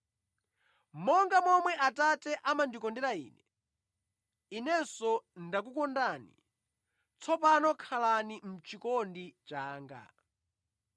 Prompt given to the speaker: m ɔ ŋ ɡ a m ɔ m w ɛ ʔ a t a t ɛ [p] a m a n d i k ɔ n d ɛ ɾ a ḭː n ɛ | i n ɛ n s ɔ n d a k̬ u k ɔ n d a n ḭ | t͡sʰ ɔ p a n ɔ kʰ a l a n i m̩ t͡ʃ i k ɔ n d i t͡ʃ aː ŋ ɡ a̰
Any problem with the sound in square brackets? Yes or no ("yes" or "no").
yes